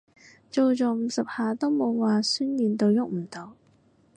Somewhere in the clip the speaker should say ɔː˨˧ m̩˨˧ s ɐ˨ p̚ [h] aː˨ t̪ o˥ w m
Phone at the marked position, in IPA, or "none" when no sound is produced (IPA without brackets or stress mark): h